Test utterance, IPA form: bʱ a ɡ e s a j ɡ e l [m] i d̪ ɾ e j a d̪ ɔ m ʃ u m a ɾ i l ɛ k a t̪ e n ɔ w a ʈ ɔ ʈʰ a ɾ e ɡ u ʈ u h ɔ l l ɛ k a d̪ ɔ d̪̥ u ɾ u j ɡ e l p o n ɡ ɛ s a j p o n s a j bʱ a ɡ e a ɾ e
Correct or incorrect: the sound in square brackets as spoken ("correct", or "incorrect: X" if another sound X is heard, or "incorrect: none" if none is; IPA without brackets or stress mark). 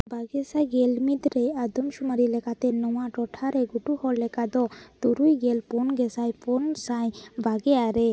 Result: correct